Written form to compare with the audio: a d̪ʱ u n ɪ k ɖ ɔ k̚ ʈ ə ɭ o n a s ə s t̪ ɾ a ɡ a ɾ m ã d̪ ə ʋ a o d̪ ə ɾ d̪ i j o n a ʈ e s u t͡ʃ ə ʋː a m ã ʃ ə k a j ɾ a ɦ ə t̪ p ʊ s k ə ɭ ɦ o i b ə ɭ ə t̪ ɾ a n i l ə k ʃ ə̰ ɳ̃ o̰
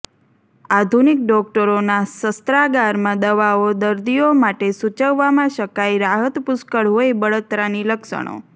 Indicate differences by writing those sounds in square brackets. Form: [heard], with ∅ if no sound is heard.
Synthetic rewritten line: a d̪ʱ u n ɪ k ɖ ɔ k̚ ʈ ə [ɾ] o n a s ə s t̪ ɾ a ɡ a ɾ m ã d̪ ə ʋ a o d̪ ə ɾ d̪ i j o [m] a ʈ e s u t͡ʃ ə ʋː a m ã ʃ ə k a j ɾ a ɦ ə t̪ p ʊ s k ə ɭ ɦ o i b ə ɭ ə t̪ ɾ a n i l ə k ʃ ə̰ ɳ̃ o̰